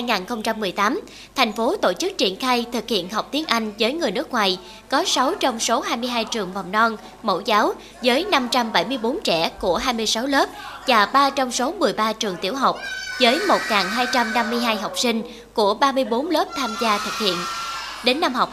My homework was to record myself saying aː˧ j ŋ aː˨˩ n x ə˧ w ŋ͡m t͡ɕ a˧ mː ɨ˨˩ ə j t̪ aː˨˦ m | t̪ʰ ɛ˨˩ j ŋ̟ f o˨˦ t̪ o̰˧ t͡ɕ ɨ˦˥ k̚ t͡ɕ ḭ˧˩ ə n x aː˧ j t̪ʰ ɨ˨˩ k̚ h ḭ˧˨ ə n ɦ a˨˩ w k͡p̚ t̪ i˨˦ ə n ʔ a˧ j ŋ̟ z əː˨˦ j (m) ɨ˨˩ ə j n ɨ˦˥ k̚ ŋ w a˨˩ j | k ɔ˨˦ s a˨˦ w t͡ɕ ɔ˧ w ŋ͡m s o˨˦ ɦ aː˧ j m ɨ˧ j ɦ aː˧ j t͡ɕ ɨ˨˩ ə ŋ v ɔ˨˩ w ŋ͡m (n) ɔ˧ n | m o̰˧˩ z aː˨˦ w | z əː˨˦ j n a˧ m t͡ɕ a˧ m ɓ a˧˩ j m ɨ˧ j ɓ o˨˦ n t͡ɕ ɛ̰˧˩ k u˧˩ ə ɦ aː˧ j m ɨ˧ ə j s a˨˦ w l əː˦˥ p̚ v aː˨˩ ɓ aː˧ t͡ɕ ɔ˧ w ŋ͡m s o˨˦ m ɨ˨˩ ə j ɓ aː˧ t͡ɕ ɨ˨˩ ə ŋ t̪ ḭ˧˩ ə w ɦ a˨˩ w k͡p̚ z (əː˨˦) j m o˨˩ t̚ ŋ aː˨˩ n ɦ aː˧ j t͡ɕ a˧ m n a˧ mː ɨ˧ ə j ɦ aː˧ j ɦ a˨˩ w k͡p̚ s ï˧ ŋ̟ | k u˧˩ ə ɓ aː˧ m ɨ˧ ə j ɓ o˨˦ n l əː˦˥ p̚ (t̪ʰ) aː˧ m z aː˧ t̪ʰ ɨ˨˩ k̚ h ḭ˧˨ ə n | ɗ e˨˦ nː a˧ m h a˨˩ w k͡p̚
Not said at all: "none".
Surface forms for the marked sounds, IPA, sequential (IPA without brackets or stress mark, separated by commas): ŋ, n, əː˨˦, t̪ʰ